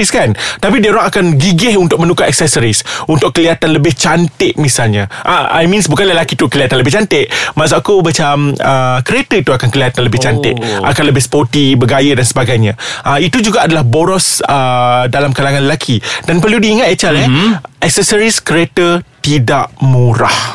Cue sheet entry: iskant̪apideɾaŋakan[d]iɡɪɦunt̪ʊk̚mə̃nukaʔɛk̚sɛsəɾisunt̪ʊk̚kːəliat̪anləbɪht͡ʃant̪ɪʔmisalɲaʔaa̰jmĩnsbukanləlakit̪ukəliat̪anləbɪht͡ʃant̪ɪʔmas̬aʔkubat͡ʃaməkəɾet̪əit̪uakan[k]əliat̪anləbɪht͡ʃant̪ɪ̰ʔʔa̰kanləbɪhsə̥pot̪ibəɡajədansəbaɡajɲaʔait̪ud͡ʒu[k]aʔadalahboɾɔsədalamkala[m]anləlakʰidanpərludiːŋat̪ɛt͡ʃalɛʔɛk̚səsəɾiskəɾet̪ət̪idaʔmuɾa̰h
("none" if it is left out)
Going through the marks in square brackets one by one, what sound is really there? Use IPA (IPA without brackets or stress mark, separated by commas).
ɡ, k, ɡ, ŋ